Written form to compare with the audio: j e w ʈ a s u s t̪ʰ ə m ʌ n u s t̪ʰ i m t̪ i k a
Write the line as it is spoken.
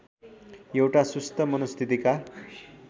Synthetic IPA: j e w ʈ a s u s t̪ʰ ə m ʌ n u s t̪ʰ i t̪ i k a